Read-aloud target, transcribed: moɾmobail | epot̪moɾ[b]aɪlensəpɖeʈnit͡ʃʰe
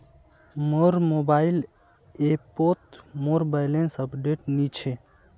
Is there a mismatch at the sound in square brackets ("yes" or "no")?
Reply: no